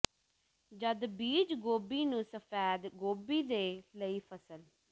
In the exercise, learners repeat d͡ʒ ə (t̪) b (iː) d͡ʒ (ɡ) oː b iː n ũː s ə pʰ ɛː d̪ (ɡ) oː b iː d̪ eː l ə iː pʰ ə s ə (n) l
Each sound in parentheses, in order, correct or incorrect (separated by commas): incorrect, correct, correct, correct, incorrect